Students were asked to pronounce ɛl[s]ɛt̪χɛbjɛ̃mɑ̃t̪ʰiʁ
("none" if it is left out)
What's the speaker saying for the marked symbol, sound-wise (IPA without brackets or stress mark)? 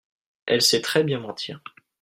s